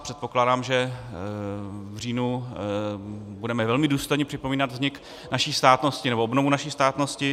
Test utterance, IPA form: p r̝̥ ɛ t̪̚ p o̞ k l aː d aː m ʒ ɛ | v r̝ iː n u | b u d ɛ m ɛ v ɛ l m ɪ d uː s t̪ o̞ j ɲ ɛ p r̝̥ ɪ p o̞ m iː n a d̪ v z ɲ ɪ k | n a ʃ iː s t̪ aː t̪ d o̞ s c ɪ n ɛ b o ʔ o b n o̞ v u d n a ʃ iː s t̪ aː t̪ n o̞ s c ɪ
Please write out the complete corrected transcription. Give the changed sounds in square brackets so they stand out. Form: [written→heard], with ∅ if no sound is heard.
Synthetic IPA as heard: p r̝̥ ɛ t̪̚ p o̞ k l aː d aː m ʒ ɛ | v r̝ iː n u | b u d ɛ m ɛ v ɛ l m ɪ d uː s t̪ o̞ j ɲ ɛ p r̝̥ ɪ p o̞ m iː n a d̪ v z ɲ ɪ k | n a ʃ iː s t̪ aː t̪ [d→n] o̞ s c ɪ n ɛ b o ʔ o b n o̞ v u [d→∅] n a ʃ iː s t̪ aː t̪ n o̞ s c ɪ